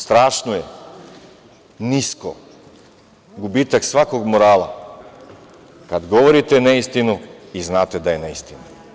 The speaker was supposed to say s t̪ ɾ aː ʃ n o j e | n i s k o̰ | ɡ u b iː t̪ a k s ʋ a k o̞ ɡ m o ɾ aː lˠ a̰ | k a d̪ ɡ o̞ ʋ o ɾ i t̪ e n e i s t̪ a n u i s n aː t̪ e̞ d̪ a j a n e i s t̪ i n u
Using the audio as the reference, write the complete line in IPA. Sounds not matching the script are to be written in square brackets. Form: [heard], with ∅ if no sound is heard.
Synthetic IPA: s t̪ ɾ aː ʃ n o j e | n i s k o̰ | ɡ u b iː t̪ a k s ʋ a k o̞ ɡ m o ɾ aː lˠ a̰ | k a d̪ ɡ o̞ ʋ o ɾ i t̪ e n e i s t̪ [i] n u i [z] n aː t̪ e̞ d̪ a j [e] n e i s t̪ i n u